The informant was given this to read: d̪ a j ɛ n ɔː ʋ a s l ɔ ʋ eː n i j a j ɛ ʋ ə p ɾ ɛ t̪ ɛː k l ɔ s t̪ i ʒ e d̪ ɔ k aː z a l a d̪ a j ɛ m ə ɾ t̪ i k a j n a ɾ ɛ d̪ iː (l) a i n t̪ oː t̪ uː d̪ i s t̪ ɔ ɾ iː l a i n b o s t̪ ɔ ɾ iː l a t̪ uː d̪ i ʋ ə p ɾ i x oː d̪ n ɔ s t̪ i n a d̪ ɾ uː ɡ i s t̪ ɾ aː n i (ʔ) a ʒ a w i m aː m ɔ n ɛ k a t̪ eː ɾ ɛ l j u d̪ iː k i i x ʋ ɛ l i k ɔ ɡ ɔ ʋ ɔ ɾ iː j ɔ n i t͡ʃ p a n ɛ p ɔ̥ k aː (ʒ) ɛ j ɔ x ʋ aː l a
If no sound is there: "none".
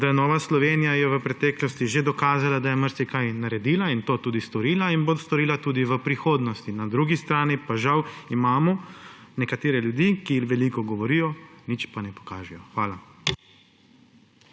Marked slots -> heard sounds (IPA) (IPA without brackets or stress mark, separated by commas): l, p, ʒ